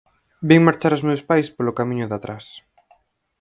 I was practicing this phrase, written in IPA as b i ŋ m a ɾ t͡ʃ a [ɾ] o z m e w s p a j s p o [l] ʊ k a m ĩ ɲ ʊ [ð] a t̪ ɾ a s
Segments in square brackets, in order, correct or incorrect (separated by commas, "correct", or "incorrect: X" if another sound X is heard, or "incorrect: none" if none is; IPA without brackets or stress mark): correct, correct, correct